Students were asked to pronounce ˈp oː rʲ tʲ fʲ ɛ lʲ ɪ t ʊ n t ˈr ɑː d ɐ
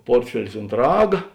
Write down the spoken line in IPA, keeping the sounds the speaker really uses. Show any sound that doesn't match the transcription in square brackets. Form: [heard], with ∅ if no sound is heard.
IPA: ˈp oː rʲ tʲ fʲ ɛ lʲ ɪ [s] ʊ n t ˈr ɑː [ɡ] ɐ